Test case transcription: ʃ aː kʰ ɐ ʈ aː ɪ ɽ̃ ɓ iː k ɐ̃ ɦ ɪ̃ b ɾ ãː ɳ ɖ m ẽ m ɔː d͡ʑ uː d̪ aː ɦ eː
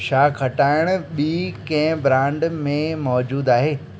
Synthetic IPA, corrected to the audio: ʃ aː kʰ ɐ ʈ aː ɪ ɽ̃ ɓ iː k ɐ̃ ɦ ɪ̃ b ɾ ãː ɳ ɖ m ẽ m ɔː d͡ʑ uː d̪ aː ɦ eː